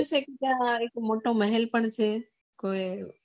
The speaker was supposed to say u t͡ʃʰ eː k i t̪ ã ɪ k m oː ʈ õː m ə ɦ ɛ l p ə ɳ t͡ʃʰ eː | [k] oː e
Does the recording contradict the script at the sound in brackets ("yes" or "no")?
no